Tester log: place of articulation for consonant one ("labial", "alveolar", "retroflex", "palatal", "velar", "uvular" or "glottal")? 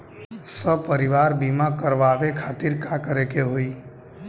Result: alveolar